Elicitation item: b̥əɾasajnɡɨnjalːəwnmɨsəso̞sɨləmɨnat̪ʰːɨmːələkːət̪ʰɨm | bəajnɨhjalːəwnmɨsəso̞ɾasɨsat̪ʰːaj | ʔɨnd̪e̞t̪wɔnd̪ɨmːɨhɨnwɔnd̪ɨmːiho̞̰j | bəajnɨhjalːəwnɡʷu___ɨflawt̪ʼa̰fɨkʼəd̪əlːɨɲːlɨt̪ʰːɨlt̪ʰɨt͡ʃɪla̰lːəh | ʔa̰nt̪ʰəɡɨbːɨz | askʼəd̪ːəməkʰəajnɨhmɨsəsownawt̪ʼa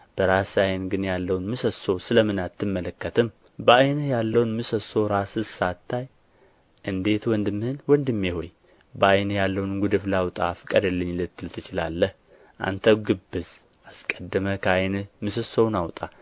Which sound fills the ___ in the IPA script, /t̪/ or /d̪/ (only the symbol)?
d̪